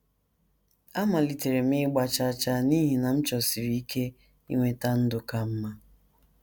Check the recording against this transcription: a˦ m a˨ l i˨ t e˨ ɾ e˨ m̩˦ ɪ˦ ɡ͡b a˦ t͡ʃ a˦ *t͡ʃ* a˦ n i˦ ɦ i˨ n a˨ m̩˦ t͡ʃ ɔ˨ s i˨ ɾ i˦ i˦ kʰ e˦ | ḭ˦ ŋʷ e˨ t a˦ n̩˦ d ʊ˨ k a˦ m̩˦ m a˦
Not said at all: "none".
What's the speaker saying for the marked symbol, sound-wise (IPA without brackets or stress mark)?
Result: t͡ʃ